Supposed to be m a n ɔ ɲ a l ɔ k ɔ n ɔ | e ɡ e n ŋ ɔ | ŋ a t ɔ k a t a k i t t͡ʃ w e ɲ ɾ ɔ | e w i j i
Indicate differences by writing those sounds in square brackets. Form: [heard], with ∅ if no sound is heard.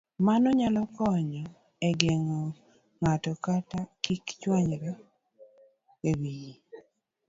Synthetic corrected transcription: m a n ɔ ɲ a l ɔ k ɔ [ɲ] ɔ | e ɡ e [∅] ŋ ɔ | ŋ a t ɔ k a t a k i [k] t͡ʃ w [a] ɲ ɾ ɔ | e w i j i